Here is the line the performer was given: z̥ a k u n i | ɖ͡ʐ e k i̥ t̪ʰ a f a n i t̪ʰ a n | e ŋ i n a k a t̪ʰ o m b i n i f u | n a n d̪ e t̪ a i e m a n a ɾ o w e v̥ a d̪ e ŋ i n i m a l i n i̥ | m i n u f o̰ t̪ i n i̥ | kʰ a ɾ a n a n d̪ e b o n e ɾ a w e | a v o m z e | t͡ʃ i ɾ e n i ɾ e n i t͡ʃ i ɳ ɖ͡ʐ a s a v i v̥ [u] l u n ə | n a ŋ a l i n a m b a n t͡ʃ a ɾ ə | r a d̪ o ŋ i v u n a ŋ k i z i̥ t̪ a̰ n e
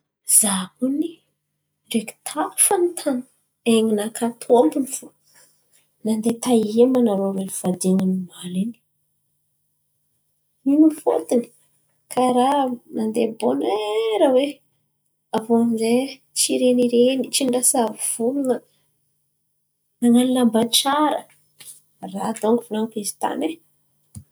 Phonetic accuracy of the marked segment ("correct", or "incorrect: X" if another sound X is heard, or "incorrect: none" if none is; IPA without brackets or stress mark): correct